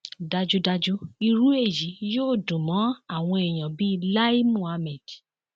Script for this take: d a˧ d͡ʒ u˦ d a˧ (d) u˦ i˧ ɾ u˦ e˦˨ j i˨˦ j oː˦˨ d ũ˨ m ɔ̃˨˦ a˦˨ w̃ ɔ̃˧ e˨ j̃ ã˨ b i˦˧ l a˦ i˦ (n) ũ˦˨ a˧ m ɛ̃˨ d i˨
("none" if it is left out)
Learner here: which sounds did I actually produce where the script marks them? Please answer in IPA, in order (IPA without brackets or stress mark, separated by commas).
d͡ʒ, m